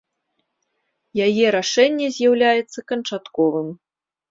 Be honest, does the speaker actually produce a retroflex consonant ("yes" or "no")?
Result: yes